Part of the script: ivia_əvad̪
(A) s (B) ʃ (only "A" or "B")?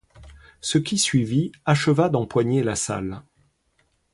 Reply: B